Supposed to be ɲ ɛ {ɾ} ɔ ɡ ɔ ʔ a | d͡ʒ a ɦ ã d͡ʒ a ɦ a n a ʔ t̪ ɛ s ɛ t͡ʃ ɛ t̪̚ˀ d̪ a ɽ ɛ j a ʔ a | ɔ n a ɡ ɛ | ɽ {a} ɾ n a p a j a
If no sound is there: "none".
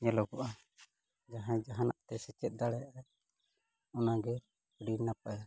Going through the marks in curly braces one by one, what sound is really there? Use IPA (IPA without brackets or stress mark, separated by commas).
l, i